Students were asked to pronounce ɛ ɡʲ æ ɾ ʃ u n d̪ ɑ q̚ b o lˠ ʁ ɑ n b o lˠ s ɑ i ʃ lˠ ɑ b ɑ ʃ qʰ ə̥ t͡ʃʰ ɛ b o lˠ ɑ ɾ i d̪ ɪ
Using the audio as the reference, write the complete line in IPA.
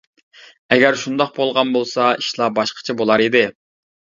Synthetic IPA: ɛ ɡʲ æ ɾ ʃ u n d̪ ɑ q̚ b o lˠ ʁ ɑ n b o lˠ s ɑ i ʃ lˠ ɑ b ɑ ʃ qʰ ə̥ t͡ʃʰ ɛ b o lˠ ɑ ɾ i d̪ ɪ

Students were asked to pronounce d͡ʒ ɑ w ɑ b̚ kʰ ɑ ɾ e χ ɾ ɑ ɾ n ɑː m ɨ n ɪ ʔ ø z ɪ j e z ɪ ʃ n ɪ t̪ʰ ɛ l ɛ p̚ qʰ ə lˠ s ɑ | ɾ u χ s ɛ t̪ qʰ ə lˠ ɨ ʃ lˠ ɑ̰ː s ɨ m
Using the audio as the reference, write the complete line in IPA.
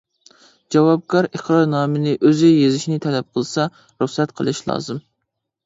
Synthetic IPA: d͡ʒ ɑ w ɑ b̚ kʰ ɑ ɾ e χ ɾ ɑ ɾ n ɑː m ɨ n ɪ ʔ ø z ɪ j e z ɪ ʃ n ɪ t̪ʰ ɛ l ɛ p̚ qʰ ə lˠ s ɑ | ɾ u χ s ɛ t̪ qʰ ə lˠ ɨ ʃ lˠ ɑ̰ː z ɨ m

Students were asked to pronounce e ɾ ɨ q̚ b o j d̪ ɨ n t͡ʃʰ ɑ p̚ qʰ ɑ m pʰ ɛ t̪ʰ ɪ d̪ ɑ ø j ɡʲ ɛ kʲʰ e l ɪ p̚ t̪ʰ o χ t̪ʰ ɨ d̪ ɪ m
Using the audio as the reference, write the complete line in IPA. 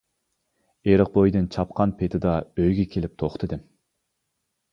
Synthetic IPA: e ɾ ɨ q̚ b o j d̪ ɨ n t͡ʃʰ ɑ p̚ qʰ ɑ n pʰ e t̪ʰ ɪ d̪ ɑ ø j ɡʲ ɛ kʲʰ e l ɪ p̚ t̪ʰ o χ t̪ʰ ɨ d̪ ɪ m

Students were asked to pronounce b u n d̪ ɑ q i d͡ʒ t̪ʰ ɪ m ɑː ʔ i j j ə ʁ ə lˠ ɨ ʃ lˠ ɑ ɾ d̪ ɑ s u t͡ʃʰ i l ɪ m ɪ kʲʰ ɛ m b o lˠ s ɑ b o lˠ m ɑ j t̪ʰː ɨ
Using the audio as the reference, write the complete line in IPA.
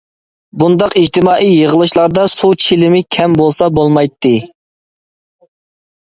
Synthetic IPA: b u n d̪ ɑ q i d͡ʒ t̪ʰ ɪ m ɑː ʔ i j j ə ʁ ə lˠ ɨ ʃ lˠ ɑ ɾ d̪ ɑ s u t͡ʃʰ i l ɪ m ɪ kʲʰ ɛ m b o lˠ s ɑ b o lˠ m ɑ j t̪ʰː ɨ

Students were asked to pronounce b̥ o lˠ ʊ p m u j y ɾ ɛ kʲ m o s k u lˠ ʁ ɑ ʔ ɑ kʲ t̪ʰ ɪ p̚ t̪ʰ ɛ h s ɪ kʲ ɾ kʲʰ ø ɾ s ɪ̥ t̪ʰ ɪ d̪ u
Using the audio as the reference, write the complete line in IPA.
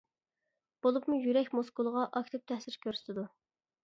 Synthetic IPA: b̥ o lˠ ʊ p m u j y ɾ ɛ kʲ m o s k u lˠ ʁ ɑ ʔ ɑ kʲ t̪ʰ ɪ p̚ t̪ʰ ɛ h s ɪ ɾ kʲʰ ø ɾ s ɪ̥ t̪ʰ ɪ d̪ u

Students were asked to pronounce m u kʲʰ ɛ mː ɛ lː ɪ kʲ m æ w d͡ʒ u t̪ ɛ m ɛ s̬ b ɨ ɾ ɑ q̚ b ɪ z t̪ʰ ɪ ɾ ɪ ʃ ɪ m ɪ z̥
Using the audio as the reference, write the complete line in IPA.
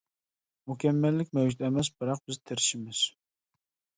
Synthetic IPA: m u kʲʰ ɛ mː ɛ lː ɪ kʲ m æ w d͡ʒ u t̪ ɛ m ɛ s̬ b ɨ ɾ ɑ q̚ b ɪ z t̪ʰ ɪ ɾ ɪ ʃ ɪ m ɪ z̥

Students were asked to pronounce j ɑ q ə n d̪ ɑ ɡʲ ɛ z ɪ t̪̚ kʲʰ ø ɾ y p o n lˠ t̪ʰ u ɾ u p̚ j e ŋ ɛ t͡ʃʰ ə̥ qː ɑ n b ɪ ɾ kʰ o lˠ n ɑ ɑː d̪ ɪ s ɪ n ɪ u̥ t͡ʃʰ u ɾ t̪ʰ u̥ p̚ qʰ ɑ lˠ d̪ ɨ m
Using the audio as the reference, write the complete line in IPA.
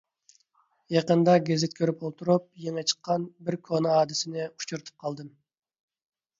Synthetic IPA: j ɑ q ə n d̪ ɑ ɡʲ e z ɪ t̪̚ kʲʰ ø ɾ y p o lˠ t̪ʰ u ɾ u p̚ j e ŋ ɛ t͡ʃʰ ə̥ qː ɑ n b ɪ ɾ kʰ o n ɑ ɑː d̪ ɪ s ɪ n ɪ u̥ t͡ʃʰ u ɾ t̪ʰ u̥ p̚ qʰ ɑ lˠ d̪ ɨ m

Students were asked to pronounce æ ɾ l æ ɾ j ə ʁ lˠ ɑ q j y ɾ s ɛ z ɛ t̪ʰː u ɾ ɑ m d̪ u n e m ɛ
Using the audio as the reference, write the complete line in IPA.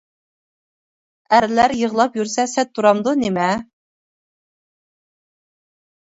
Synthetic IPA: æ ɾ l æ ɾ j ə ʁ lˠ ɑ p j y ɾ s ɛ s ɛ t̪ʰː u ɾ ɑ m d̪ u n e m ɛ

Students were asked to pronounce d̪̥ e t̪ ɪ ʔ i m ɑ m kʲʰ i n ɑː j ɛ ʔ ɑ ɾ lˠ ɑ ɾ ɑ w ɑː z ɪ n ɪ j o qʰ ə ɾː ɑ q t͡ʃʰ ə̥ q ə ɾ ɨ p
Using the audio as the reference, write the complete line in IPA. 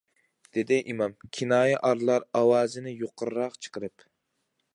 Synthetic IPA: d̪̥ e d̪ ɪ ʔ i m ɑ m kʲʰ i n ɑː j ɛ ʔ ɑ ɾ lˠ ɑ ɾ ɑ w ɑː z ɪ n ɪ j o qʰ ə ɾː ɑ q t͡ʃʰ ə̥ q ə ɾ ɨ p

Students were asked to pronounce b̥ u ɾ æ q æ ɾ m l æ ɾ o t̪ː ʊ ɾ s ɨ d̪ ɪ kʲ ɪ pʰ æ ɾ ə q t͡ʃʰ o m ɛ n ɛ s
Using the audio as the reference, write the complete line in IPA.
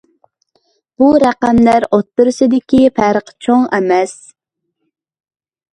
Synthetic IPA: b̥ u ɾ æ q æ m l æ ɾ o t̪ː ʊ ɾ s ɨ d̪ ɪ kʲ i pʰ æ ɾ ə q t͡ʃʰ o ŋ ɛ m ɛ s

